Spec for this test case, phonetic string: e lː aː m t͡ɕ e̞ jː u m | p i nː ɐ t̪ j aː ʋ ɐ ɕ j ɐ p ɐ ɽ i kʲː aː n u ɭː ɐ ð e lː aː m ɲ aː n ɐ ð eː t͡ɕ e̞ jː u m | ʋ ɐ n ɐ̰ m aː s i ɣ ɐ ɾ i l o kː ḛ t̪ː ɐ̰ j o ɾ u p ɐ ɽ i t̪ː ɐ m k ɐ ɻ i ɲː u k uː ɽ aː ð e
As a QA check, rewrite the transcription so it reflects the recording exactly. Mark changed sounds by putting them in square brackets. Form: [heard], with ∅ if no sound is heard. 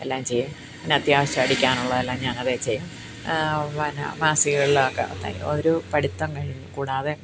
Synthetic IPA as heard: e lː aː m t͡ɕ e̞ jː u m | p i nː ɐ t̪ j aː ʋ ɐ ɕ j ɐ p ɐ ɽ i kʲː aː n u ɭː ɐ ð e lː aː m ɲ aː n ɐ ð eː t͡ɕ e̞ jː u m | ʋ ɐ n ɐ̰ m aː s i ɣ ɐ [ɭ] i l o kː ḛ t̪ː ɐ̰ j o ɾ u p ɐ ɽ i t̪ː ɐ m k ɐ ɻ i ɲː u k uː ɽ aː ð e